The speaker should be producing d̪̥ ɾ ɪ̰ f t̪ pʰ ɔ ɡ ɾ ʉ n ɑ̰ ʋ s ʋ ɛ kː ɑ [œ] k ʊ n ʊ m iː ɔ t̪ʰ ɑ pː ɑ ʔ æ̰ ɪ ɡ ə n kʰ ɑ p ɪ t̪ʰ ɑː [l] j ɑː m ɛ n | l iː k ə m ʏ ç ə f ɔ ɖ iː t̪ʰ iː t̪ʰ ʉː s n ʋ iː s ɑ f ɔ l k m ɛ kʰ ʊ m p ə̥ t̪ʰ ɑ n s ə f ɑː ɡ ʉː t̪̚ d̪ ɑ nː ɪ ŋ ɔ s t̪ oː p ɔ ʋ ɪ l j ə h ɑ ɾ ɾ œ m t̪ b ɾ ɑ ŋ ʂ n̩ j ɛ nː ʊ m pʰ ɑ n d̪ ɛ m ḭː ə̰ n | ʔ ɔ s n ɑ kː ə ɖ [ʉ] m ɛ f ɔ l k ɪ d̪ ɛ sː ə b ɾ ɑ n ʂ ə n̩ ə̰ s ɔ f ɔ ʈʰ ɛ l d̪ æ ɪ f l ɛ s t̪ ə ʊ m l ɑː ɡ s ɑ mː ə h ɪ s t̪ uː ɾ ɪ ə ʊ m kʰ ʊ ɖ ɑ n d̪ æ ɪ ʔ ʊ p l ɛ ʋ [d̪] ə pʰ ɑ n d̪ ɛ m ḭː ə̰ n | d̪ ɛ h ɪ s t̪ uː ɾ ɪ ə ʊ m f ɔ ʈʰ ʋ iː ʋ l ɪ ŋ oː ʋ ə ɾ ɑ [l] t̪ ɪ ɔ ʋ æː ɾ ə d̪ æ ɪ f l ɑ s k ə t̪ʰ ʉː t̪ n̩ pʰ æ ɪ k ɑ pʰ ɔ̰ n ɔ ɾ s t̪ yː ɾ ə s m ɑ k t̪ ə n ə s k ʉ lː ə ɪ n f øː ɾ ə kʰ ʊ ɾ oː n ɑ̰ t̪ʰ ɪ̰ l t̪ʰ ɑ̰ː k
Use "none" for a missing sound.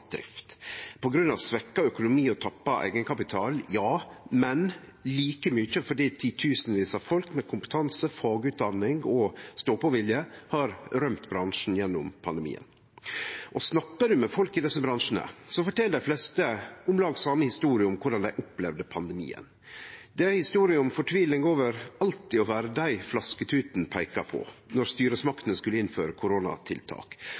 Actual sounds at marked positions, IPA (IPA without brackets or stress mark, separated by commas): œ, l, ʉ, d̪, l